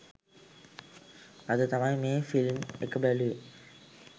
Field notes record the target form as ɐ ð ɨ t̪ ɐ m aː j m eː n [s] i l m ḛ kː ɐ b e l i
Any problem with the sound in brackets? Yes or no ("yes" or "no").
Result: yes